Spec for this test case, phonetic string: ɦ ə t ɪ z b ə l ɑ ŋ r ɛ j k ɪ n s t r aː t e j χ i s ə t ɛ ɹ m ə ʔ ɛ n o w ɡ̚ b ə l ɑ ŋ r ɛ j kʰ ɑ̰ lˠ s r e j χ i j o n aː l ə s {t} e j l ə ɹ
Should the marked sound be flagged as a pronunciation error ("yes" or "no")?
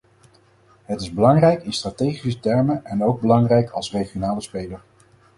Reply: yes